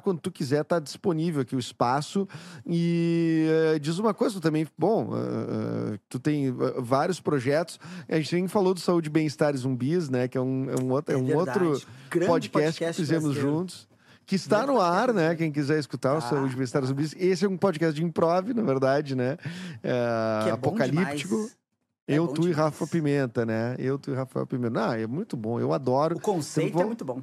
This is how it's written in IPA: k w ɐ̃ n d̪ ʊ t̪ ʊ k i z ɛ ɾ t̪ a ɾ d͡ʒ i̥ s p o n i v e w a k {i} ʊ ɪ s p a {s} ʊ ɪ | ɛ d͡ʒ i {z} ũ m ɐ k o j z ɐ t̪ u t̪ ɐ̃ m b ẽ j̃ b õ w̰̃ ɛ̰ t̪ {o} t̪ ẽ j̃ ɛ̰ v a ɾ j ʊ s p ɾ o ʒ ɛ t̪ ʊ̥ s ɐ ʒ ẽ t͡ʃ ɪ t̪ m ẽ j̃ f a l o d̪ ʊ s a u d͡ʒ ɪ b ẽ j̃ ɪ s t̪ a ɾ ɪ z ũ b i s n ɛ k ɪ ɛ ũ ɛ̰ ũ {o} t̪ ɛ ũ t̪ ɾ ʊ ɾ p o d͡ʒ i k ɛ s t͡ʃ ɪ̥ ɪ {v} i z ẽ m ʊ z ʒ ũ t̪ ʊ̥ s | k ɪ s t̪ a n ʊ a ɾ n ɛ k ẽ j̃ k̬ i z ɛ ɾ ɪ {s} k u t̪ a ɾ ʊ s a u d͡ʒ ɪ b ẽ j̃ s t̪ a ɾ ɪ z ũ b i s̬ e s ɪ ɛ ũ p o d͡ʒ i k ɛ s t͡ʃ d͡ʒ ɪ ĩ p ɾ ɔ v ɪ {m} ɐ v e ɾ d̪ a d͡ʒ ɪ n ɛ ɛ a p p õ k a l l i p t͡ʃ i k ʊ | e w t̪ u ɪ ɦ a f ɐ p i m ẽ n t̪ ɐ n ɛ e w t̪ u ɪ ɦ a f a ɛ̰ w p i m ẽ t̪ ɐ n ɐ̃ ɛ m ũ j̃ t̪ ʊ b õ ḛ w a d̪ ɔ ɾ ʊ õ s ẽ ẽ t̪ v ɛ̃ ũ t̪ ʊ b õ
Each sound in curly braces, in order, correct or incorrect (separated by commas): correct, correct, correct, incorrect, correct, incorrect, correct, incorrect